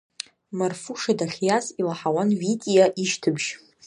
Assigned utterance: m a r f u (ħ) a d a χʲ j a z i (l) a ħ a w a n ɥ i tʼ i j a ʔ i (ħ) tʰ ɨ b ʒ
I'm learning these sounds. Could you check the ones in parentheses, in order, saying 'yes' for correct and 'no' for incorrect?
no, yes, no

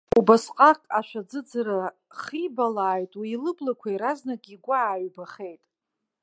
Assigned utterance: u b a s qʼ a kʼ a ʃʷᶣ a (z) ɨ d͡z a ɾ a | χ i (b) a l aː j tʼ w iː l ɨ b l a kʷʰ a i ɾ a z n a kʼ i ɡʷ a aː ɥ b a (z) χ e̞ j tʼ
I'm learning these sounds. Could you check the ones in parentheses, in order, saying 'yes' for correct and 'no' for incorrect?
no, yes, no

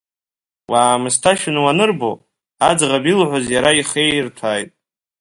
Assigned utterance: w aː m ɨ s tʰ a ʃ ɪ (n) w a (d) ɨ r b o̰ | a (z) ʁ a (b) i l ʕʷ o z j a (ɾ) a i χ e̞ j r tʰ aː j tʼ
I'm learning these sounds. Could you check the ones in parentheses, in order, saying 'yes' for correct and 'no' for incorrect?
yes, no, no, yes, yes

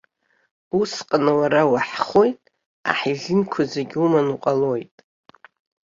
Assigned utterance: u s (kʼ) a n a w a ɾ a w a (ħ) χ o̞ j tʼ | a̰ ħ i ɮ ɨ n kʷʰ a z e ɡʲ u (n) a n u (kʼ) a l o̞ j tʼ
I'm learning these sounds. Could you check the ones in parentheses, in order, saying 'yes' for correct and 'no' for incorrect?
no, yes, no, no

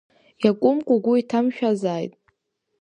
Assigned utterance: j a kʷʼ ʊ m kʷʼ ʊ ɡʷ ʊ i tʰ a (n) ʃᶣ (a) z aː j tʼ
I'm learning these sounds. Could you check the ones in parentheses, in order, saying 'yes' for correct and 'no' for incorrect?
no, yes

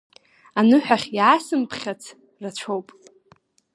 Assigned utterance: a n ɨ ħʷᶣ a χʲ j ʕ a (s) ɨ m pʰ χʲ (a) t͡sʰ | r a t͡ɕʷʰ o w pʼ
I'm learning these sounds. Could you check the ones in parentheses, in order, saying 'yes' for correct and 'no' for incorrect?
yes, yes

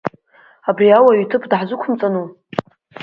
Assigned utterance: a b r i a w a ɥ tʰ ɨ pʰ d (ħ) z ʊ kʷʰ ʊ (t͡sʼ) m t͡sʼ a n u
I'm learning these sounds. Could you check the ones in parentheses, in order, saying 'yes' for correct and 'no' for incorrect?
yes, no

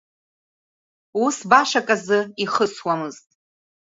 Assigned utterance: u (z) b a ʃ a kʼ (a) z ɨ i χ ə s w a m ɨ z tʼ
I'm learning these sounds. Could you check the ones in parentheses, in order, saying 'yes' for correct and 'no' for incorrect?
no, yes

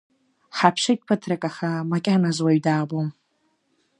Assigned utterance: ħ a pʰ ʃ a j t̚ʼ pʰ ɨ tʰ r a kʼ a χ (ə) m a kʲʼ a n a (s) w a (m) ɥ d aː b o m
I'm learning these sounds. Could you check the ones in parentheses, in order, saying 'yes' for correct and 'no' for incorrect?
no, no, no

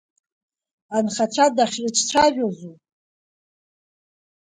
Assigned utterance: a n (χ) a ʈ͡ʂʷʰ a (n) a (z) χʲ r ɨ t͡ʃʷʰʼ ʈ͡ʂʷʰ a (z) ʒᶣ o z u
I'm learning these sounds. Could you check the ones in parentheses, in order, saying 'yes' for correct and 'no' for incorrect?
yes, no, no, no

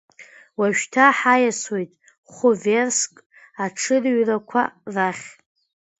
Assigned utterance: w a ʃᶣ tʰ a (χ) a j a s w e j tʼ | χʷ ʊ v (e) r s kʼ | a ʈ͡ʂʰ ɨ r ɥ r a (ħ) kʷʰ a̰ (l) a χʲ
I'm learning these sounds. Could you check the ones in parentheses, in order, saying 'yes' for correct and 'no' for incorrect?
no, yes, no, no

